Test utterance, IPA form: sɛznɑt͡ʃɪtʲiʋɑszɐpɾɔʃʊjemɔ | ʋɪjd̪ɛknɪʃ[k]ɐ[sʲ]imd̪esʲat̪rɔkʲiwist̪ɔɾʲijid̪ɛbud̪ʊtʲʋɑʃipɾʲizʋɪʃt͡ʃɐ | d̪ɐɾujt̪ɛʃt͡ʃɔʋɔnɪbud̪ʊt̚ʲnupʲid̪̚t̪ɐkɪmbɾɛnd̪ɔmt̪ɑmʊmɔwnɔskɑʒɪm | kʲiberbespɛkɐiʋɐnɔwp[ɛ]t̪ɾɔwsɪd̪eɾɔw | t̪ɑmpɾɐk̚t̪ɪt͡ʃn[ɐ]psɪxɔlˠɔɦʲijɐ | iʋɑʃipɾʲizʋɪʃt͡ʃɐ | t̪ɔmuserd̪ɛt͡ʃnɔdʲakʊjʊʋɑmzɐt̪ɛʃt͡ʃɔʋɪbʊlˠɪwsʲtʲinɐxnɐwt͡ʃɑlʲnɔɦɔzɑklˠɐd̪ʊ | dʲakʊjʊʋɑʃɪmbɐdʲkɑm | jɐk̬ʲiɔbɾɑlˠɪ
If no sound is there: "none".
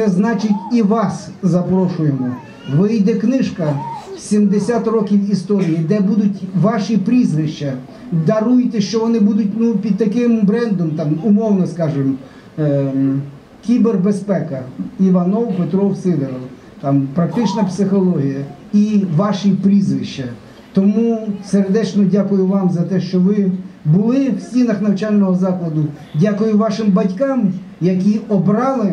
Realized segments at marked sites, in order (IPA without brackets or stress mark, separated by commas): k, sʲ, e, ɐ